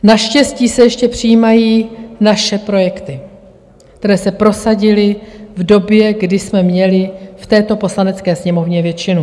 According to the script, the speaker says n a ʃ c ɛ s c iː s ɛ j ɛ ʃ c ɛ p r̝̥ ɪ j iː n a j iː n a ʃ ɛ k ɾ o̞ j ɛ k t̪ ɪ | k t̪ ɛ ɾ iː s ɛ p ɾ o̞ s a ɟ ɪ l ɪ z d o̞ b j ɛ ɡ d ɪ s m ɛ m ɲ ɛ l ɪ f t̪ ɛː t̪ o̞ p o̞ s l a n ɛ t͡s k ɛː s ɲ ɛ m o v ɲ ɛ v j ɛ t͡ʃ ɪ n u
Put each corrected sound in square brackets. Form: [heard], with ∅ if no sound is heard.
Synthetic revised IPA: n a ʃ c ɛ s c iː s ɛ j ɛ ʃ c ɛ p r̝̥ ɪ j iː [m] a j iː n a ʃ ɛ [p] ɾ o̞ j ɛ k t̪ ɪ | k t̪ ɛ ɾ [ɛː] s ɛ p ɾ o̞ s a ɟ ɪ l ɪ [v] d o̞ b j ɛ ɡ d ɪ s m ɛ m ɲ ɛ l ɪ f t̪ ɛː t̪ o̞ p o̞ s l a n ɛ t͡s k ɛː s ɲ ɛ m o v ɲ ɛ v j ɛ t͡ʃ ɪ n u

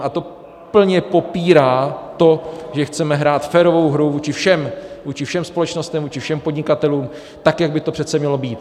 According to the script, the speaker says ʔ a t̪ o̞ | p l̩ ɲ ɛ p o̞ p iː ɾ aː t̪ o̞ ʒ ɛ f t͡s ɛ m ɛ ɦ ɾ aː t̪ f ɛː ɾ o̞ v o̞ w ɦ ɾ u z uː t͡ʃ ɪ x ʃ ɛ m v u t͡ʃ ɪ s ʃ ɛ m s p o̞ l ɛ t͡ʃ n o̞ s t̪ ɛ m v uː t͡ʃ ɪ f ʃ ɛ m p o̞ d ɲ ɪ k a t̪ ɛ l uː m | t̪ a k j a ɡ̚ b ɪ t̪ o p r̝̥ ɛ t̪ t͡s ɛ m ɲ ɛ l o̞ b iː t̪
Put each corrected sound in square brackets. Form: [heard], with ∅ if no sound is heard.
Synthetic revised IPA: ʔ a t̪ o̞ | p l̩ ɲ ɛ p o̞ p iː ɾ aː t̪ o̞ ʒ ɛ [x] t͡s ɛ m ɛ ɦ ɾ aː t̪ f ɛː ɾ o̞ v o̞ w ɦ ɾ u [v] uː t͡ʃ ɪ [f] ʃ ɛ m v [uː] t͡ʃ ɪ [f] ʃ ɛ m s p o̞ l ɛ t͡ʃ n o̞ s t̪ ɛ m v uː t͡ʃ ɪ f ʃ ɛ m p o̞ d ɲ ɪ k a t̪ ɛ l uː m | t̪ a k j a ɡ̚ b ɪ t̪ o p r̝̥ ɛ t̪ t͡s ɛ m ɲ ɛ l o̞ b iː t̪

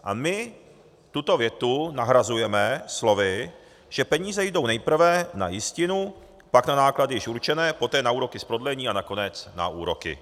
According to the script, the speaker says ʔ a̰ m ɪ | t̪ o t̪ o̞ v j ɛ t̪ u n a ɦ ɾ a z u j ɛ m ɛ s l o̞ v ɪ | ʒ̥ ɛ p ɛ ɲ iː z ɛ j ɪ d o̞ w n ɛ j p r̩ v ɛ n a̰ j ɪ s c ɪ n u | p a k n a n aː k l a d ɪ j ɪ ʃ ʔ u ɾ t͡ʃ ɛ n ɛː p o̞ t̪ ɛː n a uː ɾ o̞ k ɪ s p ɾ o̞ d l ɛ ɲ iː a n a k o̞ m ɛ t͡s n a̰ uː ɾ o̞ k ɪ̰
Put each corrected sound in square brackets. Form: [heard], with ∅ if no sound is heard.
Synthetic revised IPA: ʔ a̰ m ɪ | t̪ [u] t̪ o̞ v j ɛ t̪ u n a ɦ ɾ a z u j ɛ m ɛ s l o̞ v ɪ | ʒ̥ ɛ p ɛ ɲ iː z ɛ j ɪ d o̞ w n ɛ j p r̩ v ɛ n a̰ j ɪ s c ɪ n u | p a k n a n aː k l a d ɪ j ɪ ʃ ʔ u ɾ t͡ʃ ɛ n ɛː p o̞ t̪ ɛː n a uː ɾ o̞ k ɪ s p ɾ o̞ d l ɛ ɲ iː a n a k o̞ [n] ɛ t͡s n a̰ uː ɾ o̞ k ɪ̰

